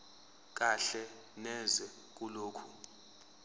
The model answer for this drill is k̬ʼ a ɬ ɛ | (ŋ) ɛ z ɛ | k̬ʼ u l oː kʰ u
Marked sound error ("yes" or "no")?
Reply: yes